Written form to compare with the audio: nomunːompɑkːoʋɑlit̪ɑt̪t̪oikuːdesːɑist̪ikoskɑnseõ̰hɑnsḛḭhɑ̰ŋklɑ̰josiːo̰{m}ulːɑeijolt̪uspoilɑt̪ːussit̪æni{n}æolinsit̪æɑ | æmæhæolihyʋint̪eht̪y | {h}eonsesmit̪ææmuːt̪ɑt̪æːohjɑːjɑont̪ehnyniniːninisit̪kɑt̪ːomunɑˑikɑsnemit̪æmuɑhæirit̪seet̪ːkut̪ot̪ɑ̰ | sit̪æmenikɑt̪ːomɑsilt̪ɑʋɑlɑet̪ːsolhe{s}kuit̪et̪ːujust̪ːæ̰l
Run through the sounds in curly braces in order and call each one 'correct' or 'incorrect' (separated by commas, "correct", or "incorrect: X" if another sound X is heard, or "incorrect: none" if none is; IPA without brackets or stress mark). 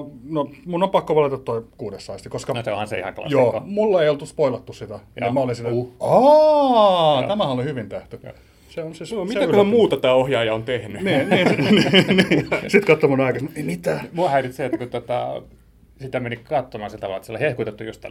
correct, incorrect: m, incorrect: s, incorrect: h